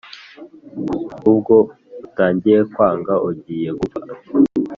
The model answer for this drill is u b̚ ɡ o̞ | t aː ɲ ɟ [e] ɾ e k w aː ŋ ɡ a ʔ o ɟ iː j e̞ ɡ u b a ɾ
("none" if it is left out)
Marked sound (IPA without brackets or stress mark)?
i